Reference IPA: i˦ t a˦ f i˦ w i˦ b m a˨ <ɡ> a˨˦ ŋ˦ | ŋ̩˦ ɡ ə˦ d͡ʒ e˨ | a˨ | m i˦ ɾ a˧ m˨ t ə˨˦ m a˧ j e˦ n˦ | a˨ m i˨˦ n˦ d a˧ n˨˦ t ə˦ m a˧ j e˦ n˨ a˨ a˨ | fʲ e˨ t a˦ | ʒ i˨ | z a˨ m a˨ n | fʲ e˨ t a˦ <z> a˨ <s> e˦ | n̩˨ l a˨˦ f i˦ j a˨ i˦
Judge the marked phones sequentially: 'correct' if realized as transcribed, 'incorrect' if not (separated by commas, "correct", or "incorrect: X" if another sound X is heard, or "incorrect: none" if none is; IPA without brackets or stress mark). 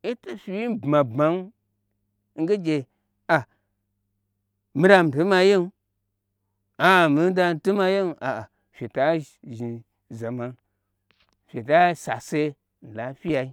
incorrect: b, incorrect: s, correct